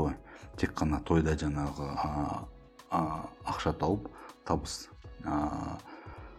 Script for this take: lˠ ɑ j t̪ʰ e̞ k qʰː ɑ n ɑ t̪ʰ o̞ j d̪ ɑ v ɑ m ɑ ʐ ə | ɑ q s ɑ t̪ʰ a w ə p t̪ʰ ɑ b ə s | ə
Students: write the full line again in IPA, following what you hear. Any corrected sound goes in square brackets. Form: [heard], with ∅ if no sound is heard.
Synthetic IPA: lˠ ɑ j t̪ʰ e̞ k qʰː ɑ n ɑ t̪ʰ o̞ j d̪ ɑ [ʒ] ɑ [ɴ] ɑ [ʁ] ə | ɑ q [ʃ] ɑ t̪ʰ [ɑ] w ə p t̪ʰ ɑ b ə s | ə